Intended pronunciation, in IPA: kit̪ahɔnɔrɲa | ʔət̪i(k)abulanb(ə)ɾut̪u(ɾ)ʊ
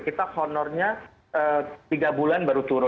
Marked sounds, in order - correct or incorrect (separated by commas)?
incorrect, incorrect, correct